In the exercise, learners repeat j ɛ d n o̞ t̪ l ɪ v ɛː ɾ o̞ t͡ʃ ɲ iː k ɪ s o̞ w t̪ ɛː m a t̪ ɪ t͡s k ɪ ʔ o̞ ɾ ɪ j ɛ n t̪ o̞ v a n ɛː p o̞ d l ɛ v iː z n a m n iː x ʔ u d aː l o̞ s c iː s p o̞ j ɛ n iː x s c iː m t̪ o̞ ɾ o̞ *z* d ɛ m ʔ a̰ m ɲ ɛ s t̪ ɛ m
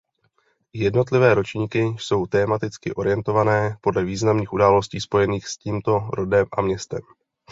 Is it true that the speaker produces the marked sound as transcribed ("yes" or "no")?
no